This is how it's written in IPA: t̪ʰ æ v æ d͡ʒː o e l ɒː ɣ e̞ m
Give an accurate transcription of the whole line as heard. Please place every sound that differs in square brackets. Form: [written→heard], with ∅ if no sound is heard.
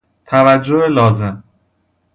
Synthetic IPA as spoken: t̪ʰ æ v æ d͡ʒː o e l ɒː [ɣ→z] e̞ m